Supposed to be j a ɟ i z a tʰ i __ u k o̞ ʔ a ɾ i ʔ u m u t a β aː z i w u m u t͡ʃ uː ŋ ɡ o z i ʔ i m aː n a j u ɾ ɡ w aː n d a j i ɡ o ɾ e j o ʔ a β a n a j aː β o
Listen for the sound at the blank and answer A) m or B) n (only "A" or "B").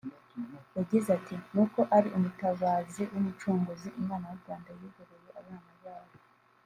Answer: B